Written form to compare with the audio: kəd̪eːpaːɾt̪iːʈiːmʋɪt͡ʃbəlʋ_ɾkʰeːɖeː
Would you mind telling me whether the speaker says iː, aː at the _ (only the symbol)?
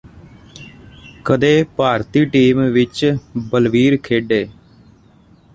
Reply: iː